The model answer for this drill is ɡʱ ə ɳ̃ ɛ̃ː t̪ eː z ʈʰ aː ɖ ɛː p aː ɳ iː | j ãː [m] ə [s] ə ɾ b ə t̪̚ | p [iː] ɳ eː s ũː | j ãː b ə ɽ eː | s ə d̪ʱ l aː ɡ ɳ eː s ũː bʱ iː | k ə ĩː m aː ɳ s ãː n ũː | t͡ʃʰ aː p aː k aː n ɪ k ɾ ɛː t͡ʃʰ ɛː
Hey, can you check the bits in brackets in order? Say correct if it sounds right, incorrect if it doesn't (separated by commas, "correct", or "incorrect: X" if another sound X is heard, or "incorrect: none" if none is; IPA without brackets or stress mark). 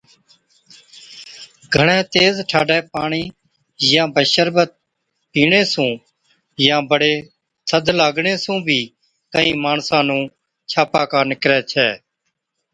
incorrect: b, incorrect: ʃ, correct